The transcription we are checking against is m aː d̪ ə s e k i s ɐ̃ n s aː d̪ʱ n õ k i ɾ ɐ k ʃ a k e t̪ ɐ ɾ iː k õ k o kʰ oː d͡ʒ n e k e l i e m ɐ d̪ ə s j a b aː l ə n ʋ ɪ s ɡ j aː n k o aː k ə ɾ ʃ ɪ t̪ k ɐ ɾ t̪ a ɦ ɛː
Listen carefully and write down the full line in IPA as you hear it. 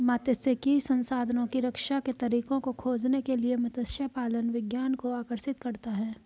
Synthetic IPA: m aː t̪ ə s e k i s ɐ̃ n s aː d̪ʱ n õ k i ɾ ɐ k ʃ a k e t̪ ɐ ɾ iː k õ k o kʰ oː d͡ʒ n e k e l i e m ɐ t̪ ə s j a p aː l ə n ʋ ɪ ɡ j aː n k o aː k ə ɾ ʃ ɪ t̪ k ɐ ɾ t̪ a ɦ ɛː